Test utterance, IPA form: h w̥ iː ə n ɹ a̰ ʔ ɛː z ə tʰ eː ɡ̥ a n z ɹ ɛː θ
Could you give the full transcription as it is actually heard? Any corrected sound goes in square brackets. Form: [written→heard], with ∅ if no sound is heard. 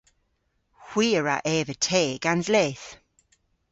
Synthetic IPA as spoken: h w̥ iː ə [n→∅] ɹ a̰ ʔ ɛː [z→v] ə tʰ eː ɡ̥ a n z [ɹ→l] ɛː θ